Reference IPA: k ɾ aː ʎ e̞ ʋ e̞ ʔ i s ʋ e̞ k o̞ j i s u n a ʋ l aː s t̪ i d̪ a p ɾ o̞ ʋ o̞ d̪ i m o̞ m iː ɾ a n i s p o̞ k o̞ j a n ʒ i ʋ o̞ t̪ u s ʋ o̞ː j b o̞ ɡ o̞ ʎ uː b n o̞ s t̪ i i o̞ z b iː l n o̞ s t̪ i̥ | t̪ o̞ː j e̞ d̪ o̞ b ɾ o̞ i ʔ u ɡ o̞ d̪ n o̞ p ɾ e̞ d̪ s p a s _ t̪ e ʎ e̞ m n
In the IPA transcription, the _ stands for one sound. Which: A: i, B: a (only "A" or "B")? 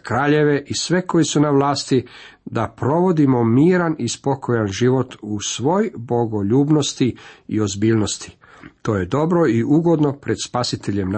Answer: A